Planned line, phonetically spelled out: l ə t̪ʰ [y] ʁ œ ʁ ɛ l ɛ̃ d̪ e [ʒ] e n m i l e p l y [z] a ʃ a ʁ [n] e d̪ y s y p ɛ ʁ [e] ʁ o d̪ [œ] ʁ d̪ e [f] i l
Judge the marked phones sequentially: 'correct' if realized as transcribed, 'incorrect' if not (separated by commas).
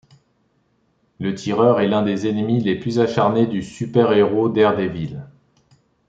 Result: incorrect, incorrect, correct, correct, correct, incorrect, incorrect